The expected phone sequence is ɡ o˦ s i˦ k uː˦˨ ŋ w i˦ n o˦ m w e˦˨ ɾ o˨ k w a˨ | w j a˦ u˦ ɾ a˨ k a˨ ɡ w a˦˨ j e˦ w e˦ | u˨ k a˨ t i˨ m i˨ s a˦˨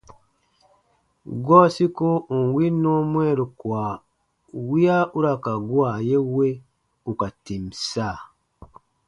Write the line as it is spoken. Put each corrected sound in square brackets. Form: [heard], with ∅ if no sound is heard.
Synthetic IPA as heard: ɡ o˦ s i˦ k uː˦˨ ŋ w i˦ n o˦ m w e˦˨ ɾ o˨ k w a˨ | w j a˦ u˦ ɾ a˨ k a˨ ɡ w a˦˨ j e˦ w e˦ | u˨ k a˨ t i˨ m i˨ s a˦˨